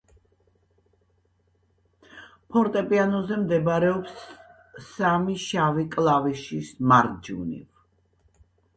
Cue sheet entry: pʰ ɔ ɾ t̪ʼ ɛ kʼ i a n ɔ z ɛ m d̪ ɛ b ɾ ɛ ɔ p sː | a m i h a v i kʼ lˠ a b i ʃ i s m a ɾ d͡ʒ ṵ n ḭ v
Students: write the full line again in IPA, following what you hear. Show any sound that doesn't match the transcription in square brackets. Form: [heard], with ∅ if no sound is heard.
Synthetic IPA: pʰ ɔ ɾ t̪ʼ ɛ [pʼ] i a n ɔ z ɛ m d̪ ɛ b ɾ ɛ ɔ p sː | a m i [ʃ] a v i kʼ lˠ a [v] i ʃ i s m a ɾ d͡ʒ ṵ n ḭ v

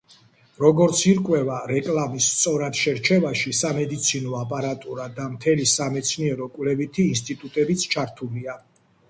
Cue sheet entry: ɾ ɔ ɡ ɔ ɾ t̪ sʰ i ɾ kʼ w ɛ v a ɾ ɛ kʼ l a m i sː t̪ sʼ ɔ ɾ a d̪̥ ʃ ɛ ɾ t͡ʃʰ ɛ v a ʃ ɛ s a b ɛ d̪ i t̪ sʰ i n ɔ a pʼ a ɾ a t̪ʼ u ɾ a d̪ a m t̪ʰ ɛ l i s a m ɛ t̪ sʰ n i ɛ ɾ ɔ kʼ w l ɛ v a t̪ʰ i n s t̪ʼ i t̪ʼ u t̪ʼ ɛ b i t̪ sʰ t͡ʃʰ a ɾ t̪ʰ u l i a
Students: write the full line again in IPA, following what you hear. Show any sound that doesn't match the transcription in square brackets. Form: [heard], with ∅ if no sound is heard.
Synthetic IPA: ɾ ɔ ɡ ɔ ɾ t̪ sʰ i ɾ kʼ w ɛ v a ɾ ɛ kʼ l a m i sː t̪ sʼ ɔ ɾ a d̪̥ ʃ ɛ ɾ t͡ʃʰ ɛ v a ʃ [i] s a [m] ɛ d̪ i t̪ sʰ i n ɔ a pʼ a ɾ a t̪ʼ u ɾ a d̪ a m t̪ʰ ɛ l i s a m ɛ t̪ sʰ n i ɛ ɾ ɔ kʼ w l ɛ v [i] t̪ʰ [iː] n s t̪ʼ i t̪ʼ u t̪ʼ ɛ b i t̪ sʰ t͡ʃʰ a ɾ t̪ʰ u l i a

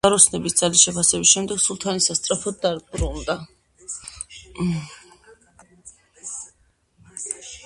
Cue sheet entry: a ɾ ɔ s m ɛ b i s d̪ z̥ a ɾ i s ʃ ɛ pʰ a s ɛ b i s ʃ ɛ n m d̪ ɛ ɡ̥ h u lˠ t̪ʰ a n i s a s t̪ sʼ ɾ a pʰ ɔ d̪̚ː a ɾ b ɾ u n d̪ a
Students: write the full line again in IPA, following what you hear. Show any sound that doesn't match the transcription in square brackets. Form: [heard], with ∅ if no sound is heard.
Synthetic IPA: a ɾ ɔ s [n] ɛ b i s d̪ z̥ a [l] i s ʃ ɛ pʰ a s ɛ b i s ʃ ɛ [∅] m d̪ ɛ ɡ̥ [s] u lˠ t̪ʰ a n i s a s t̪ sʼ ɾ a pʰ ɔ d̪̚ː a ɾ b ɾ u n d̪ a

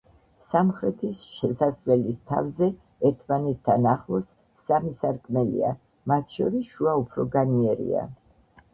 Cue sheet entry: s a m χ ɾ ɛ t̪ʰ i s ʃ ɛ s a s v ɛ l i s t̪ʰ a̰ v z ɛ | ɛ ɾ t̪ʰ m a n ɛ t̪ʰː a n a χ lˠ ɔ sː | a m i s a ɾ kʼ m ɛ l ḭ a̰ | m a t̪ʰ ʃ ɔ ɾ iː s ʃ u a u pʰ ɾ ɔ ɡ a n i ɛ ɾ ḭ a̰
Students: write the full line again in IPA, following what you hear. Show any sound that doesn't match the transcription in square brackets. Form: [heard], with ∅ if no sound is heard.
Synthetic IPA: s a m χ ɾ ɛ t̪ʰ i s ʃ ɛ s a s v ɛ l i s t̪ʰ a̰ v z ɛ | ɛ ɾ t̪ʰ m a n ɛ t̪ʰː a n a χ lˠ ɔ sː | a m i s a ɾ kʼ m ɛ l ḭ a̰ | m a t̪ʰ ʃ ɔ ɾ [i] s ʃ u a u pʰ ɾ ɔ ɡ a n i ɛ ɾ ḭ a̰

